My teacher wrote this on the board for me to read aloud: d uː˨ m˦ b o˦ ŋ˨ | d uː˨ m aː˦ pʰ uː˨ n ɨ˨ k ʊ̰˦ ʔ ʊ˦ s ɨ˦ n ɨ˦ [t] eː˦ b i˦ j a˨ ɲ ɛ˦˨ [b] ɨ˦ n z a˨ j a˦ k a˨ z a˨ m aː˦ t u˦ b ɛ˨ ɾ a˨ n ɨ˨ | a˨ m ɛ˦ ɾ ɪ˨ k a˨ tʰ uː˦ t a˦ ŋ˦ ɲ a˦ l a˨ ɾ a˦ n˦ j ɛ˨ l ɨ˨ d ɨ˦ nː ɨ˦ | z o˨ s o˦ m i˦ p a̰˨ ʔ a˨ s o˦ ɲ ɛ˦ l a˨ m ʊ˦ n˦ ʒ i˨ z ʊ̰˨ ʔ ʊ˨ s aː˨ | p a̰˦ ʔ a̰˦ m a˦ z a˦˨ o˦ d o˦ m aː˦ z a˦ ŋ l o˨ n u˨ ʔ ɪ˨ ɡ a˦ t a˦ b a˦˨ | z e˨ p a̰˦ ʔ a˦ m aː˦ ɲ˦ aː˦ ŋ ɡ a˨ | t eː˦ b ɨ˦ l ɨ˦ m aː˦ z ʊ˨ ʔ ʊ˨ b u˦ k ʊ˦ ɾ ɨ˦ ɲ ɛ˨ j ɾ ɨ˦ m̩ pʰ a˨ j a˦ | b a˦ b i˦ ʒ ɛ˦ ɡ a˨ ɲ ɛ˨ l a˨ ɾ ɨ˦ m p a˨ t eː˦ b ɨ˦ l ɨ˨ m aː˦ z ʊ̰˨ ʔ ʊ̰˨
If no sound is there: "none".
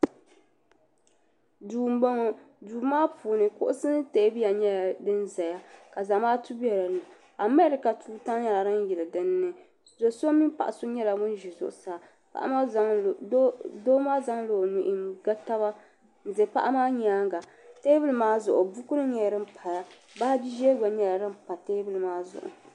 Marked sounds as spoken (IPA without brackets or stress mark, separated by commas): t, d